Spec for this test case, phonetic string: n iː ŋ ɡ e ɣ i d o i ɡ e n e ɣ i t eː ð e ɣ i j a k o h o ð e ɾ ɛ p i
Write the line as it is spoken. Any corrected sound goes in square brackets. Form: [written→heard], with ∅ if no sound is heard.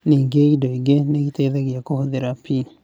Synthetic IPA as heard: n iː ŋ ɡ e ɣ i d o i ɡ e n e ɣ i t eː ð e ɣ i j a k o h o ð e ɾ [ɛ→a] p i